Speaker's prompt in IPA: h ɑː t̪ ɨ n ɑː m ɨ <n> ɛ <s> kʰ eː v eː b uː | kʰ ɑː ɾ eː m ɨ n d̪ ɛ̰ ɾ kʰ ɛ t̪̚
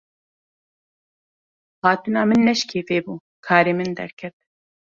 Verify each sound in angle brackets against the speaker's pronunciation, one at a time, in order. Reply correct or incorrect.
incorrect: nː, incorrect: ʃ

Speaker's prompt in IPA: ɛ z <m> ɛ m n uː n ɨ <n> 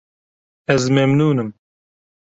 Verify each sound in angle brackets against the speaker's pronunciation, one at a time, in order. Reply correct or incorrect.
correct, incorrect: m

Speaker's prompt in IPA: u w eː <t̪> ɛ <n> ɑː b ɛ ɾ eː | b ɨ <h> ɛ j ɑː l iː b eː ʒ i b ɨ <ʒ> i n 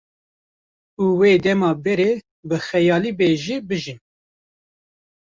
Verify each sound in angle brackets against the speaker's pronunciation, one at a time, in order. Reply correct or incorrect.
incorrect: d̪, incorrect: m, incorrect: x, correct

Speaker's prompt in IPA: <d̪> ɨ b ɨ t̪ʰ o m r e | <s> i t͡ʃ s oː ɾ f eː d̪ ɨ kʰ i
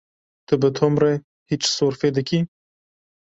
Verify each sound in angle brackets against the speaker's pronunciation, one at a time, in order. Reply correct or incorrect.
incorrect: t̪, incorrect: h

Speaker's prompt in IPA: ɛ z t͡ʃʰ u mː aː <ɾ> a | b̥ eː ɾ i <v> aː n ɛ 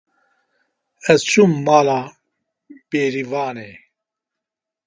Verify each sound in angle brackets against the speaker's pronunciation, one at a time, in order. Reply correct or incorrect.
incorrect: l, correct

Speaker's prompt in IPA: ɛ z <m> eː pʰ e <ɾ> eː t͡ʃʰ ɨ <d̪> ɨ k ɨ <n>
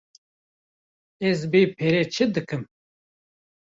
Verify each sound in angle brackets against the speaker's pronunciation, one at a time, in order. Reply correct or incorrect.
incorrect: b, correct, correct, incorrect: m

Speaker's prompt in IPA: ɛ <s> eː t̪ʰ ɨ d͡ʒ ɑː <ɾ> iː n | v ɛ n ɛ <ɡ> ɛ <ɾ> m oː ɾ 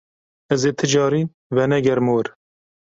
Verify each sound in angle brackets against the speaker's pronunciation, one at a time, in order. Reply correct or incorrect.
incorrect: z, correct, correct, correct

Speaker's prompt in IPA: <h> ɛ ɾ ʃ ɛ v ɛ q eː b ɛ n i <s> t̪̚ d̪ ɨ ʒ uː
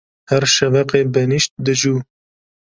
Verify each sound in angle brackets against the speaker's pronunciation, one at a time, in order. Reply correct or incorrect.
correct, incorrect: ʃ

